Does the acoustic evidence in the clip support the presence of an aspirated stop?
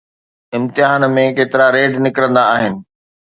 no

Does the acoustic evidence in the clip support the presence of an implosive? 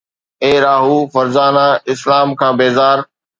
no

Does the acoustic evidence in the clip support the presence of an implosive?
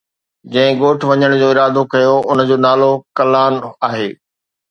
no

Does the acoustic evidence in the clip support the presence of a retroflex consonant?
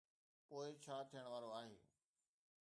yes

